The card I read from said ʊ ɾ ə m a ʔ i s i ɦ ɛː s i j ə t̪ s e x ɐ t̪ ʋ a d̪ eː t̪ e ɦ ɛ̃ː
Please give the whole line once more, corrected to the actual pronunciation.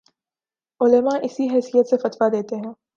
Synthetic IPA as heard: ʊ l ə m a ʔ ɪ s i ɦ ɛː s i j ə t̪ s e f ɐ t̪ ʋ a d̪ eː t̪ e ɦ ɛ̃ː